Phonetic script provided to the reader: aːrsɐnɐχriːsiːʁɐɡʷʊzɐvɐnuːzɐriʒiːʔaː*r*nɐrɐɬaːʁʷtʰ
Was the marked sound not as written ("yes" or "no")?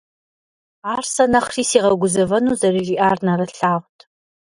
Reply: no